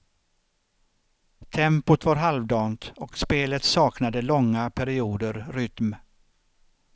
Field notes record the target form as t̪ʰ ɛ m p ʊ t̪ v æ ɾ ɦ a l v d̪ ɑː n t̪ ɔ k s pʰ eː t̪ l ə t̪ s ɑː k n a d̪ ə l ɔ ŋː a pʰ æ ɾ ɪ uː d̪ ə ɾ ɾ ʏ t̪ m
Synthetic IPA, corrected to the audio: t̪ʰ ɛ m p ʊ t̪ v a ɾ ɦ a l v d̪ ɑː n t̪ ɔ k s p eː l ə t̪ s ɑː k n a d̪ ə l ɔ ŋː a pʰ æ ɾ ɪ uː d̪ ə ɾ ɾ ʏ t̪ m